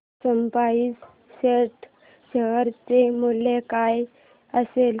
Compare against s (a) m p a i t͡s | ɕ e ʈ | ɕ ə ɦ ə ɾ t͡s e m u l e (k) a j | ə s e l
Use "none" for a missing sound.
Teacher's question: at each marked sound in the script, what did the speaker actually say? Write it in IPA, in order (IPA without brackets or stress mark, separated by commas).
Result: ə, k